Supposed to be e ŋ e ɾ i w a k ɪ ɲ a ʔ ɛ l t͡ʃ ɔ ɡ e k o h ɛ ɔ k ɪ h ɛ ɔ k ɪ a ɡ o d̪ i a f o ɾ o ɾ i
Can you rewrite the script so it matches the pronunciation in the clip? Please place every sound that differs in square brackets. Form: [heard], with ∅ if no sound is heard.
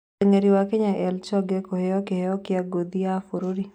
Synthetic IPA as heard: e ŋ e ɾ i w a k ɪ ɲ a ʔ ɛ l t͡ʃ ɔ ɡ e k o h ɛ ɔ k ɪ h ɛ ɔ k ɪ a ɡ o d̪ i a f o ɾ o ɾ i